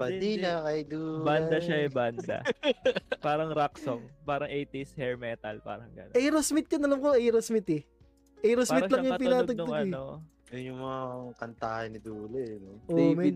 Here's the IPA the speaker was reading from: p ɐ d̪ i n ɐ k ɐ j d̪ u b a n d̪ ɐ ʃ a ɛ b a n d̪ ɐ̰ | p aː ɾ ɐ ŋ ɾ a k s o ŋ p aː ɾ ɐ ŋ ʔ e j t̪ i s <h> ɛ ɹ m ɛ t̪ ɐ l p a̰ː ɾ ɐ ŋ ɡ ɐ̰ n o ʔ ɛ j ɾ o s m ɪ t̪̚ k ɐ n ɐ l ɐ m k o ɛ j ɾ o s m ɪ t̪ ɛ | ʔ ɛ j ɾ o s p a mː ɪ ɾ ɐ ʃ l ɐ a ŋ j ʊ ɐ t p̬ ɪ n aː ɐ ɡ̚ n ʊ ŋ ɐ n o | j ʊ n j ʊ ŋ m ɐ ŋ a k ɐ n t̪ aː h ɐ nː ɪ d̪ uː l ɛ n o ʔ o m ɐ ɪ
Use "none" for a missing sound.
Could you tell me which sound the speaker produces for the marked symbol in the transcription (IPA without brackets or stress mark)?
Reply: h